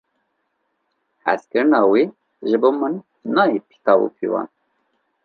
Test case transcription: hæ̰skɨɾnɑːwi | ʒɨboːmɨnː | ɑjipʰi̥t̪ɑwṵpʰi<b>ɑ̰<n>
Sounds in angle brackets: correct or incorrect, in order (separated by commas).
incorrect, correct